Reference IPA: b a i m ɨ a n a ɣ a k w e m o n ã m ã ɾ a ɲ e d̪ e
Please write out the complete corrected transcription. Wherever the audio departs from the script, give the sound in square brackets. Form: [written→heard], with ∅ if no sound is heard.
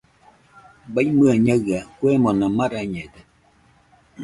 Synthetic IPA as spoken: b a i m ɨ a [n→ɲ] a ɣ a k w e m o n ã m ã ɾ a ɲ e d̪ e